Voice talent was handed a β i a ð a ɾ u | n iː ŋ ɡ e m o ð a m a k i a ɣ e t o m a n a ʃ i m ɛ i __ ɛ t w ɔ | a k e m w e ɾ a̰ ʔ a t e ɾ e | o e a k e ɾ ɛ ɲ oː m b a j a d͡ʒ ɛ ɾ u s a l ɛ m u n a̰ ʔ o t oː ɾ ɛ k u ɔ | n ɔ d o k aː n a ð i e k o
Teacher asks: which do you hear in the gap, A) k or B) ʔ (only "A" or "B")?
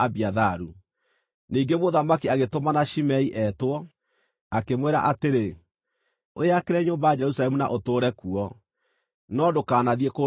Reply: B